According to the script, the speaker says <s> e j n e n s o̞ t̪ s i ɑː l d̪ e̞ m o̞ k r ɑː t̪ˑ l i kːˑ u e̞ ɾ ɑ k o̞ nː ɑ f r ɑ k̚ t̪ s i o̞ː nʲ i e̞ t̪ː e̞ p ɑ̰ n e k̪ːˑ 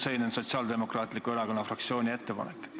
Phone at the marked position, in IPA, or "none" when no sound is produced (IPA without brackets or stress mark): s